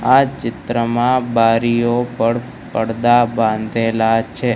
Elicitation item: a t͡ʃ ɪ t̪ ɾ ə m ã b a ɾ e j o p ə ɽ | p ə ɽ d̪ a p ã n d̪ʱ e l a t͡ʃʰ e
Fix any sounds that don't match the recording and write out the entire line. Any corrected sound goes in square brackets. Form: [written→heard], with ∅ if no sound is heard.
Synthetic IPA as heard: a t͡ʃ ɪ t̪ ɾ ə m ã b a ɾ [e→i] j o p ə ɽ | p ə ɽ d̪ a [p→b] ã n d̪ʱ e l a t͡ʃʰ e

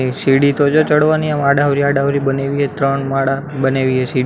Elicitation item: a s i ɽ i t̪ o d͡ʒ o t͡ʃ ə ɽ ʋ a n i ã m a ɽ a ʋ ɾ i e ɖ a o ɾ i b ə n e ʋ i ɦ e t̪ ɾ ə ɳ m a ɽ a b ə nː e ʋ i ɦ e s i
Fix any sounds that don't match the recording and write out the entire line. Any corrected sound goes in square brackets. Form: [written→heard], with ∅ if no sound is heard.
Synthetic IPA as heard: [a→i] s i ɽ i t̪ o d͡ʒ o t͡ʃ ə ɽ ʋ a n i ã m a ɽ a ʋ ɾ i [e→a] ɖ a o ɾ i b ə n e ʋ i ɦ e t̪ ɾ ə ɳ m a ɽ a b ə [nː→n] e ʋ i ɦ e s i

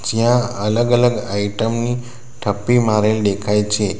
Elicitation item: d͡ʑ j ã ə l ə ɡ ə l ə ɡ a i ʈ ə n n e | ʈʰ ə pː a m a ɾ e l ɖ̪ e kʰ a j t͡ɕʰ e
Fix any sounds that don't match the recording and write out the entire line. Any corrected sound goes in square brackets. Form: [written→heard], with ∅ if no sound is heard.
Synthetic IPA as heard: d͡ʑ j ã ə l ə ɡ ə l ə ɡ a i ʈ ə [n→m] n [e→i] | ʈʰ ə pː [a→i] m a ɾ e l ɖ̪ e kʰ a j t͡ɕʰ e

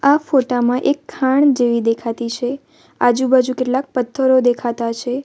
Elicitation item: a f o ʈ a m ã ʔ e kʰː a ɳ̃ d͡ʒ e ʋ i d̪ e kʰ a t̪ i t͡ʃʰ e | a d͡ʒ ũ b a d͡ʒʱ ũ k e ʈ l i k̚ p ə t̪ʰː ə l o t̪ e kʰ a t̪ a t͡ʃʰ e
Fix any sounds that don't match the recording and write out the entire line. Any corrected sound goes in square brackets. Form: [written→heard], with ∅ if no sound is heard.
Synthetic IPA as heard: a f o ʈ a m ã ʔ e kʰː a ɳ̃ d͡ʒ e ʋ i d̪ e kʰ a t̪ i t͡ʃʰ e | a d͡ʒ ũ b a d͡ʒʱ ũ k e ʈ l [i→a] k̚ p ə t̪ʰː ə [l→ɾ] o [t̪→d̪] e kʰ a t̪ a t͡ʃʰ e

